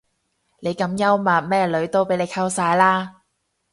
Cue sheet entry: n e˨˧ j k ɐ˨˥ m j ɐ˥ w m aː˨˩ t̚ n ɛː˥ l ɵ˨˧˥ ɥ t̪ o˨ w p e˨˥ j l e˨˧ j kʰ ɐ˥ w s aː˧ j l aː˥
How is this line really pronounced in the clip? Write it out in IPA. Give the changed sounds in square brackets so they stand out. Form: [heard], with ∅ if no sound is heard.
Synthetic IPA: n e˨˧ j k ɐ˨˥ m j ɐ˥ w m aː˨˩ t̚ [m] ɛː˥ l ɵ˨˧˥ ɥ t̪ [o˥] w p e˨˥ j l e˨˧ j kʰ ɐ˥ w s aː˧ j l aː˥